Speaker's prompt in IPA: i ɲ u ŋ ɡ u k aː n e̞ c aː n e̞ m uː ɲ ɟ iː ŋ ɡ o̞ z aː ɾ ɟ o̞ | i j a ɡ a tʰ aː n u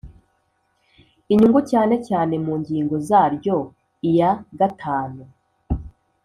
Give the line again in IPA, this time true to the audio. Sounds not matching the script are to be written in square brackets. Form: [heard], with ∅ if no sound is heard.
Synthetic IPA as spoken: i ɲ u ŋ ɡ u [c] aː n e̞ c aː n e̞ m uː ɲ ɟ iː ŋ ɡ o̞ z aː ɾ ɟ o̞ | i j a ɡ a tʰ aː n u